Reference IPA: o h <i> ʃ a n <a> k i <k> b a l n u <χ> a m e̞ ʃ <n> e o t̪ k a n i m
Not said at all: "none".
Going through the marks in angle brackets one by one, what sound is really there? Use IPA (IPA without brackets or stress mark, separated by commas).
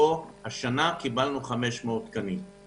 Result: a, a, none, χ, m